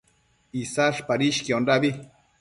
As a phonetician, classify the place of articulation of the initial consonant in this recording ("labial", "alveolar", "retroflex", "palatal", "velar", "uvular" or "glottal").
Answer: alveolar